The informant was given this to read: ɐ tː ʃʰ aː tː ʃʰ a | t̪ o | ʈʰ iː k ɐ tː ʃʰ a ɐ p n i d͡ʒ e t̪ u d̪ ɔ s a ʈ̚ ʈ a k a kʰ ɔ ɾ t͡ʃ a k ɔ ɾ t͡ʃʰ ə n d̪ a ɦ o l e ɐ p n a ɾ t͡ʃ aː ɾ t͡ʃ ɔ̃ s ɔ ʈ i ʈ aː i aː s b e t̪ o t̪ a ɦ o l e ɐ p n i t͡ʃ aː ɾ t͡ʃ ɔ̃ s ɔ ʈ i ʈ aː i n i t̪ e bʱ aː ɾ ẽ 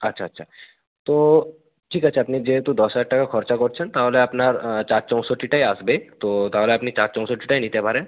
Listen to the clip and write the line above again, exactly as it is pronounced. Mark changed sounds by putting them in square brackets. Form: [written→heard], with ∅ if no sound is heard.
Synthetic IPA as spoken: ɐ tː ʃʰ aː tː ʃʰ a | t̪ o | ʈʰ iː k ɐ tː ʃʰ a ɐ p n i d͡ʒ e t̪ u d̪ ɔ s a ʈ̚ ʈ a k a kʰ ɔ ɾ t͡ʃ a k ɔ ɾ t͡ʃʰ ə n [d̪→t̪] a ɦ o l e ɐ p n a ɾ t͡ʃ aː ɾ t͡ʃ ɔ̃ s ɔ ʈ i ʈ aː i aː s b e t̪ o t̪ a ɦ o l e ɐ p n i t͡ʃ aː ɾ t͡ʃ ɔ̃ s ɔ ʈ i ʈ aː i n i t̪ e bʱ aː ɾ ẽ